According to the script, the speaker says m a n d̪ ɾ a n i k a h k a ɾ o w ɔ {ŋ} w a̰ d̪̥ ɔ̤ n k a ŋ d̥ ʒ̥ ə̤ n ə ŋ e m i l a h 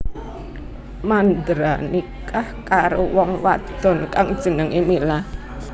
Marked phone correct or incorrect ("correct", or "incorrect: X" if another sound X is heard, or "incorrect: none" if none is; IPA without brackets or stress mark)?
correct